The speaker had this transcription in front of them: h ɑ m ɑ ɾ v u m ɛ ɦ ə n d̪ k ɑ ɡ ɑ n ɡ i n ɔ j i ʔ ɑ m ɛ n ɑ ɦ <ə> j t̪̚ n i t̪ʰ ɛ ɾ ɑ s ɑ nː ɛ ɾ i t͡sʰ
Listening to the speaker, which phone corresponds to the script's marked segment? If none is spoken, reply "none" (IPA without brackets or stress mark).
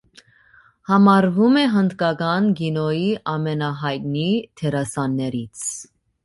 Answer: ɑ